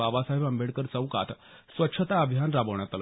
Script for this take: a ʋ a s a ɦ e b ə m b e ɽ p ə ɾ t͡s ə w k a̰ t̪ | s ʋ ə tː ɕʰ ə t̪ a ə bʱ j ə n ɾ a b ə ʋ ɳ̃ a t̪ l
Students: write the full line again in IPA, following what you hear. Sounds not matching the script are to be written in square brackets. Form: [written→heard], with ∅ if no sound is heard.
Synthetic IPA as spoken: a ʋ a s a ɦ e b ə m b e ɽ [p→k] ə ɾ t͡s ə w k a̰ t̪ | s ʋ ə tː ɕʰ ə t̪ a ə bʱ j [ə→a] n ɾ a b ə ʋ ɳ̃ a t̪ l

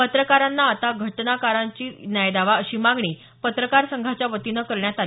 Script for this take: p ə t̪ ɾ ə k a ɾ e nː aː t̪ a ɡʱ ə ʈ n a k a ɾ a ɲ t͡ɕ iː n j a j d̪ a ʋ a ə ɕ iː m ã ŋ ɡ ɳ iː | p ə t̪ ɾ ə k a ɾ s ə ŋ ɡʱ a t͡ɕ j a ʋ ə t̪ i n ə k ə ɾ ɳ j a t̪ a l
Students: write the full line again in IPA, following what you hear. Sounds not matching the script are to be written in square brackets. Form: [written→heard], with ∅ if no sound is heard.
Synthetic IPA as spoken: p ə t̪ ɾ ə k a ɾ [e→a] nː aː t̪ a ɡʱ ə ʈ n a k a ɾ a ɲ t͡ɕ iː n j a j d̪ a ʋ a ə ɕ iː m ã ŋ ɡ ɳ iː | p ə t̪ ɾ ə k a ɾ s ə ŋ ɡʱ a t͡ɕ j a ʋ ə t̪ i n ə k ə ɾ ɳ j a t̪ a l

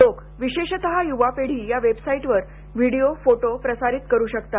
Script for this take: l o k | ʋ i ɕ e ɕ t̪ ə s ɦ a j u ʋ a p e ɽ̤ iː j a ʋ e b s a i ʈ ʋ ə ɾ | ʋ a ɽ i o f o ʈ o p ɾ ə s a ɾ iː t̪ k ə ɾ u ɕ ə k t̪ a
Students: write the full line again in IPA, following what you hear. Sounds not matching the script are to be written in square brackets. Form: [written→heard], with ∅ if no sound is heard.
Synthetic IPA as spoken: l o k | ʋ i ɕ e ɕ t̪ ə [s→∅] ɦ a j u ʋ a p e ɽ̤ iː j a ʋ e b s a i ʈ ʋ ə ɾ | ʋ [a→i] ɽ i o f o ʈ o p ɾ ə s a ɾ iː t̪ k ə ɾ [u→uː] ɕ ə k t̪ a

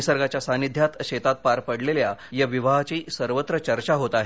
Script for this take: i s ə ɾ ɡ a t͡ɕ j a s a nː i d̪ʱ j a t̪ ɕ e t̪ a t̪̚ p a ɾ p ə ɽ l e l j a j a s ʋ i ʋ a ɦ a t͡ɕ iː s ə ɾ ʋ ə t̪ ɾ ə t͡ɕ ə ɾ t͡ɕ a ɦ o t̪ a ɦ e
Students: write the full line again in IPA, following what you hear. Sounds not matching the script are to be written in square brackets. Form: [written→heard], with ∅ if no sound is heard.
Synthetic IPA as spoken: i s ə ɾ ɡ a t͡ɕ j a s a [nː→n] i d̪ʱ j a t̪ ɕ e t̪ a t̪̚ p a ɾ p ə ɽ l e l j a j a [s→∅] ʋ i ʋ a ɦ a t͡ɕ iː s ə ɾ ʋ ə t̪ ɾ ə t͡ɕ ə ɾ t͡ɕ a ɦ o t̪ a ɦ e

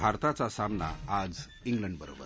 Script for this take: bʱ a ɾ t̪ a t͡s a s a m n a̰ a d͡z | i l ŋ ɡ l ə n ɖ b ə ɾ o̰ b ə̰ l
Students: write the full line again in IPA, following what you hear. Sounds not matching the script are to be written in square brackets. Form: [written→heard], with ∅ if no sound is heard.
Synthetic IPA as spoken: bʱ a ɾ t̪ a t͡s a s a m n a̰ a d͡z | i [l→∅] ŋ ɡ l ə [n→ɳ] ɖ b ə ɾ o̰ b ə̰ [l→ɾ]

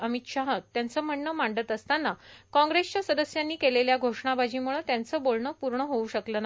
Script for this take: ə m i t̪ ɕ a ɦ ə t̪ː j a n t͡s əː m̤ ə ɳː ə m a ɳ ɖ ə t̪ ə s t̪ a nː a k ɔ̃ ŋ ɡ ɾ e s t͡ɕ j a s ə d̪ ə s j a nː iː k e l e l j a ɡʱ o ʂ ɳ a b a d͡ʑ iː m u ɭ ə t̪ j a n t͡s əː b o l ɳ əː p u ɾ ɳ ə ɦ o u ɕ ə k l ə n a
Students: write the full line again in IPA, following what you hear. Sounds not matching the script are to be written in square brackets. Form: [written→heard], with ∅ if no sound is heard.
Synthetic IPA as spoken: ə m i t̪ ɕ a ɦ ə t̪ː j a n t͡s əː m̤ ə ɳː ə m a ɳ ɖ ə t̪ ə s t̪ a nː a k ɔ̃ ŋ ɡ ɾ e s t͡ɕ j a s ə d̪ ə s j a nː iː k e l e l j a ɡʱ o ʂ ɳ a b a d͡ʑ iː m u ɭ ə t̪ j a n t͡s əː b o l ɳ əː p u ɾ ɳ ə ɦ o u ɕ ə k l ə n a

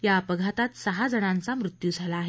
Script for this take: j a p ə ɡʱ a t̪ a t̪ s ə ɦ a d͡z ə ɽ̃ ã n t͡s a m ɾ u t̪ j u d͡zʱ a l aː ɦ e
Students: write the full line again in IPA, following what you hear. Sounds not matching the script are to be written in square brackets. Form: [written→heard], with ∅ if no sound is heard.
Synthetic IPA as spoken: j a p ə ɡʱ a t̪ a t̪ s ə ɦ a d͡z ə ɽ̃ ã n t͡s a m ɾ u t̪ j u d͡zʱ a l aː ɦ e

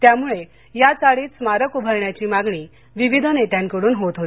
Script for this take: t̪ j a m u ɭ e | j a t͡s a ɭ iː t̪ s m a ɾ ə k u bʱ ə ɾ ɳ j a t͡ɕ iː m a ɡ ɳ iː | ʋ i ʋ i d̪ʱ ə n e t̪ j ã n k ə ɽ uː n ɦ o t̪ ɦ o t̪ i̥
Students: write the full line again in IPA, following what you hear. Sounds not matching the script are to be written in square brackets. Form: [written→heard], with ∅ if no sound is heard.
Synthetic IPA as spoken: t̪ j a m u ɭ e | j a t͡s a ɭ iː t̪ s m a ɾ ə k u bʱ ə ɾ ɳ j a t͡ɕ iː m a ɡ ɳ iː | ʋ i ʋ i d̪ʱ ə n e t̪ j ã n k ə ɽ uː n ɦ o t̪ ɦ o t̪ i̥

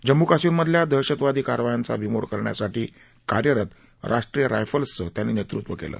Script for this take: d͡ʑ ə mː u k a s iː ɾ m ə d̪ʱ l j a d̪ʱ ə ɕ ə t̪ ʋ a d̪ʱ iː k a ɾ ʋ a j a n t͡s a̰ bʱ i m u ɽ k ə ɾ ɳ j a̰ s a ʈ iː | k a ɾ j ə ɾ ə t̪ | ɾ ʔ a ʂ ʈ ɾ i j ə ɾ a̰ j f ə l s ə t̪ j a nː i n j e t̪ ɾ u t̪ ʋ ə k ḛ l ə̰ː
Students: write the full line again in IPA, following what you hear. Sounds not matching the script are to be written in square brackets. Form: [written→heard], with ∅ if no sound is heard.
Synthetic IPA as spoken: d͡ʑ ə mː u k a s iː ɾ m ə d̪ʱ l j a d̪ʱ ə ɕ ə t̪ ʋ a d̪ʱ iː k a ɾ ʋ a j a n t͡s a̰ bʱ i m [u→o] ɽ k ə ɾ ɳ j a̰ s a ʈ iː | k a ɾ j ə ɾ ə t̪ | ɾ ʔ a ʂ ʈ ɾ i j ə ɾ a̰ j f ə l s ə t̪ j a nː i n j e t̪ ɾ u t̪ ʋ ə k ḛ l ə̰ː

